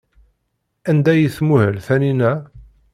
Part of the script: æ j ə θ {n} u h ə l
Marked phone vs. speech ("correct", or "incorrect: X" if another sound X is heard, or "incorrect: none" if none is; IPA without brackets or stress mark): incorrect: m